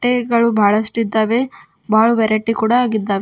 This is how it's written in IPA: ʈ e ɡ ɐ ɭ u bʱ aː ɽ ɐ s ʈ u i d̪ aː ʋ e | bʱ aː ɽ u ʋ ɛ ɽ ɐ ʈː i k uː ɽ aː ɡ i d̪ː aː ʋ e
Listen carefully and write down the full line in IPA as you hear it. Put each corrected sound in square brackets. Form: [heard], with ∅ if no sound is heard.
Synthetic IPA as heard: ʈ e ɡ ɐ ɭ u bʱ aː [ɭ] ɐ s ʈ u i [d̪ː] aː ʋ e | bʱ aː [ɭ] u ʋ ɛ [ɾ] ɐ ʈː i k uː ɽ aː ɡ i d̪ː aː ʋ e